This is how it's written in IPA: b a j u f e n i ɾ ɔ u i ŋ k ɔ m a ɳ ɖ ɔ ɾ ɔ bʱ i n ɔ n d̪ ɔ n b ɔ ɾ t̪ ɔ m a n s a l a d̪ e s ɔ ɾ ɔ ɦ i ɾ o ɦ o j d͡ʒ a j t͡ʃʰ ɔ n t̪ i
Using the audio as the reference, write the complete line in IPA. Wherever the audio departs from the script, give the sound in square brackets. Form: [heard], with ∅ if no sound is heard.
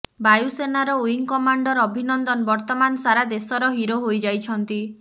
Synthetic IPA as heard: b a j u [s] e n [a] ɾ ɔ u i ŋ k ɔ m a ɳ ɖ ɔ ɾ ɔ bʱ i n ɔ n d̪ ɔ n b ɔ ɾ t̪ ɔ m a n s a [ɾ] a d̪ e s ɔ ɾ ɔ ɦ i ɾ o ɦ o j d͡ʒ a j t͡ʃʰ ɔ n t̪ i